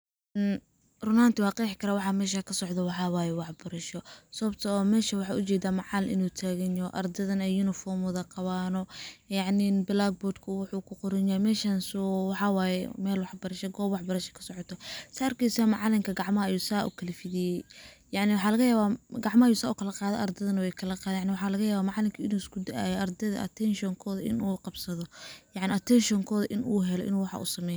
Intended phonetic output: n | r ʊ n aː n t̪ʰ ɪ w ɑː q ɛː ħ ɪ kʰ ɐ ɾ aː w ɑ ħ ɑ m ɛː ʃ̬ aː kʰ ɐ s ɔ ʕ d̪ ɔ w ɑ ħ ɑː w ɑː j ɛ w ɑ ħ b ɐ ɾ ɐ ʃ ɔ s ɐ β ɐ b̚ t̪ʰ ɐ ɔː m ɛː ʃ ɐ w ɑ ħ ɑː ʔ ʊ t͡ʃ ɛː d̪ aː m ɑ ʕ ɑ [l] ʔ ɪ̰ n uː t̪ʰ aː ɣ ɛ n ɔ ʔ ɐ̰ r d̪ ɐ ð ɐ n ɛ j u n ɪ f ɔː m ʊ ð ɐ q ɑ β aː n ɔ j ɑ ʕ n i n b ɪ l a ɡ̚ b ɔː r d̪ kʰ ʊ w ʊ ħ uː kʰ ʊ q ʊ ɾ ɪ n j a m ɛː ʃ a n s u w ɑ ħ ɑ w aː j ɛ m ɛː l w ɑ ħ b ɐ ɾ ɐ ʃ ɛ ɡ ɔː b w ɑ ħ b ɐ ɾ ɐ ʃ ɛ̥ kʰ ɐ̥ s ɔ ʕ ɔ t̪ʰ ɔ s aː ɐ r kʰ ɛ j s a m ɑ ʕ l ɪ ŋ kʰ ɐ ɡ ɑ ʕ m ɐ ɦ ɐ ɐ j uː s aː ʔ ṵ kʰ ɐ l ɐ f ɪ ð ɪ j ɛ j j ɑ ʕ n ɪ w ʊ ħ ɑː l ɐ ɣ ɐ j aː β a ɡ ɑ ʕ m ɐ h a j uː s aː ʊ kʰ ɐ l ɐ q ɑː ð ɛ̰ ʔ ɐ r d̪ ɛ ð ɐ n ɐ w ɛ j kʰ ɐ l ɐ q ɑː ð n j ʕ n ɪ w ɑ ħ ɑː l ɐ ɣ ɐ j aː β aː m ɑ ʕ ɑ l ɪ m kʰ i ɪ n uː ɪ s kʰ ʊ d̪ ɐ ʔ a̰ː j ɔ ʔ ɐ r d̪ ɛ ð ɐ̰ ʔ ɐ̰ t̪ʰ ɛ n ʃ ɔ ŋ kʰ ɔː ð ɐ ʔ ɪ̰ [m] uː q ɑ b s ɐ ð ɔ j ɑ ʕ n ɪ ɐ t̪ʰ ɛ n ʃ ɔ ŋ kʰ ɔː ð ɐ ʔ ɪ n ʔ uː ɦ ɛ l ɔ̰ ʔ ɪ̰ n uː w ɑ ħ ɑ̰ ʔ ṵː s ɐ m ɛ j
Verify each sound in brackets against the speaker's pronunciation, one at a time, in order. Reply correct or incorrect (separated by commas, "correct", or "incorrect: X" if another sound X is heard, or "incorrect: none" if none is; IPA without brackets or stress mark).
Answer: correct, incorrect: n